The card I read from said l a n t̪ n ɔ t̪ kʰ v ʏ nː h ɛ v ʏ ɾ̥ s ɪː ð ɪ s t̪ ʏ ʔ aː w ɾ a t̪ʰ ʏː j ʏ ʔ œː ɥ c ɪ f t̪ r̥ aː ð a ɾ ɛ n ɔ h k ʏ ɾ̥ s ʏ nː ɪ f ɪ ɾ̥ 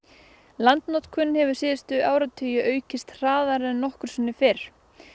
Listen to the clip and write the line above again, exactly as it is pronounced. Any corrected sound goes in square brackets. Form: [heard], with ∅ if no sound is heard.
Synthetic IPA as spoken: l a n t̪ n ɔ t̪ kʰ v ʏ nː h ɛ v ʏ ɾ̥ s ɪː ð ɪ s t̪ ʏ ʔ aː w ɾ a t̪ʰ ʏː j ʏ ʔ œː ɥ c ɪ [s] t̪ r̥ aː ð a ɾ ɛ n ɔ h k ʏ ɾ̥ s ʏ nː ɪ f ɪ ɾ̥